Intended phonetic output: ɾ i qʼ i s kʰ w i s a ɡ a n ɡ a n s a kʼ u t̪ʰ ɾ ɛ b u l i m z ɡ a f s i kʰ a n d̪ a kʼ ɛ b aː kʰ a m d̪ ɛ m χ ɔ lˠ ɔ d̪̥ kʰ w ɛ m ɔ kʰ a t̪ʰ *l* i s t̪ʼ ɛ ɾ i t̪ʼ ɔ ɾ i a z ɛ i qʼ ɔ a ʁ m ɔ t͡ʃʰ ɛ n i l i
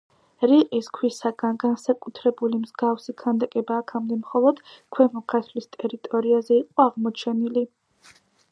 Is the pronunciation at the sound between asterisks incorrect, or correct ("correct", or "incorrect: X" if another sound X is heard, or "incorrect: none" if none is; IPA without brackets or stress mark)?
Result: correct